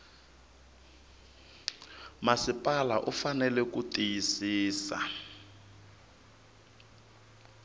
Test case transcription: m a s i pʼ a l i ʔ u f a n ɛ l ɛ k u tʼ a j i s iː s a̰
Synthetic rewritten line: m a s i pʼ a l a ʔ u f a n ɛ l ɛ k u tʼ i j i s iː s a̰